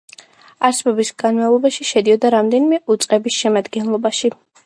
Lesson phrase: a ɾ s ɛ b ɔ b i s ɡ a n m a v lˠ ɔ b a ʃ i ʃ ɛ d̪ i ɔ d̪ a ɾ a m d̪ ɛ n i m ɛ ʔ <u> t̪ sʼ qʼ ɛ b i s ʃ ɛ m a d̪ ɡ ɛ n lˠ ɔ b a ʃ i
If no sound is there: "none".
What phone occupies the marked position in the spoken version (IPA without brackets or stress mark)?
u